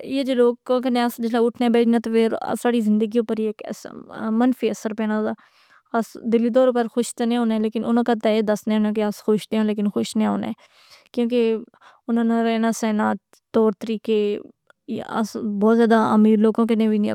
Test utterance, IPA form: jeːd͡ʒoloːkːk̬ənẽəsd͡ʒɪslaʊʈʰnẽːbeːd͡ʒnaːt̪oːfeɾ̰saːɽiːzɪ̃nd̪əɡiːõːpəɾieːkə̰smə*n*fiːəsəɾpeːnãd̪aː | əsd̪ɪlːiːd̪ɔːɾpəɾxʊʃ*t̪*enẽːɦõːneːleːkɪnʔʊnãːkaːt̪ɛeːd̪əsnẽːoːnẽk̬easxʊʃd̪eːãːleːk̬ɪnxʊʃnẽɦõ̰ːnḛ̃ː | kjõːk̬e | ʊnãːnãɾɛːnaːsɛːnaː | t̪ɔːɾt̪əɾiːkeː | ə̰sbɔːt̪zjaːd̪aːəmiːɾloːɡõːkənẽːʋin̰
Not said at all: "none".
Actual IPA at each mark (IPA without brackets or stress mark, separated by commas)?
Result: n, t̪